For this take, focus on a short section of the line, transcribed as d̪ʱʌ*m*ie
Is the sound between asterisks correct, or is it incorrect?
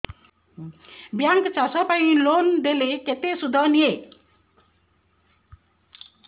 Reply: incorrect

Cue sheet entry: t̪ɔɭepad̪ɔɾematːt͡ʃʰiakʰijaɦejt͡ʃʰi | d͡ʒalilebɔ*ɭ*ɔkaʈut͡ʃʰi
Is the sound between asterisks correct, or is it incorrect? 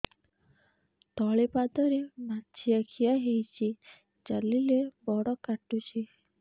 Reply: incorrect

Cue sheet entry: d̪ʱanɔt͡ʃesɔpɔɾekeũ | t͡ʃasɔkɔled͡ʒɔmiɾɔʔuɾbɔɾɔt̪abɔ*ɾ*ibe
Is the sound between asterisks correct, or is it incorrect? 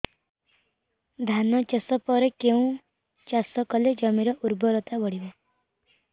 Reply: incorrect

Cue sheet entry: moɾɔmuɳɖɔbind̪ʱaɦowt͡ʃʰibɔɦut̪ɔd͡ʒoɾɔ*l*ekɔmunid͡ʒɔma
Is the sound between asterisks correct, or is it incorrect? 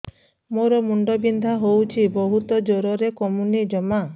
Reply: incorrect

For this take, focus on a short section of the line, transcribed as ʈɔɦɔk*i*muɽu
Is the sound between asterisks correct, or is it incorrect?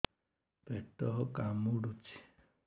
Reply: incorrect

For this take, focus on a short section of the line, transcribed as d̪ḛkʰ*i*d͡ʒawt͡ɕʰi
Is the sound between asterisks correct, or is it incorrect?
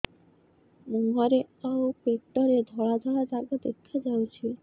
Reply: incorrect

